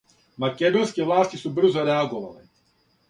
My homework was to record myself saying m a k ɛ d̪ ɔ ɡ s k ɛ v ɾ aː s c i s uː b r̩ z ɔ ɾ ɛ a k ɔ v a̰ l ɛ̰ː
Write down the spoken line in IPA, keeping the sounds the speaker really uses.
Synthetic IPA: m a k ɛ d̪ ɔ s k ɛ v l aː s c i s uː b r̩ z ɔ ɾ ɛ a ɡ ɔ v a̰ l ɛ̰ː